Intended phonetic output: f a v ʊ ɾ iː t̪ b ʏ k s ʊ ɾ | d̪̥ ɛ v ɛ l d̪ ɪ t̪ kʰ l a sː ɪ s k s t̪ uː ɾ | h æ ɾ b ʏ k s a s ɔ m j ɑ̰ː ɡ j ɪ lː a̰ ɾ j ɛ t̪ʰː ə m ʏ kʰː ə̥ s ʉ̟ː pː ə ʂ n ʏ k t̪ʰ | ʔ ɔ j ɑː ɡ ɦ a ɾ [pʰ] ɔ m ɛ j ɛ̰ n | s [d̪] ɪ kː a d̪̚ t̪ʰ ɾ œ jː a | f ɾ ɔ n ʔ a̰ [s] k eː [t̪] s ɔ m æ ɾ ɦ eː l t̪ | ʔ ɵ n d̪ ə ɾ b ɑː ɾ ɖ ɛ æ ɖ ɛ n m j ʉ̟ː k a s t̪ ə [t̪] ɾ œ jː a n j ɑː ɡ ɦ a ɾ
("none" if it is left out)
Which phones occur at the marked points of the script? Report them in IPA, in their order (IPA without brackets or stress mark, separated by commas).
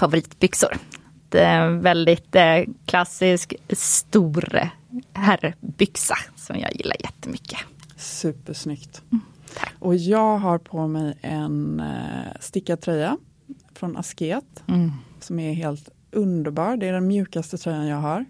pʰ, t̪, s, t̪, t̪ʰ